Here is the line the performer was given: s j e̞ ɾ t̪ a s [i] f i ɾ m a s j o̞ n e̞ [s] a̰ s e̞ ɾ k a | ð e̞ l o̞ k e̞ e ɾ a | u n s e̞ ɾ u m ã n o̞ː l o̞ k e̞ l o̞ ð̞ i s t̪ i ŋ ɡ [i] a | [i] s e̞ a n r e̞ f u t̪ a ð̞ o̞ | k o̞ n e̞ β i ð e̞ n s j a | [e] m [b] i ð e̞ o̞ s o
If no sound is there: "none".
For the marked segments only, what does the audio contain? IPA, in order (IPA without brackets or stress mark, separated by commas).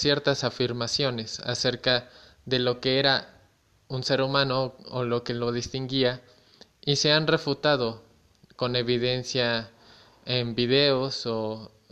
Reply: a, s, i, i, e, b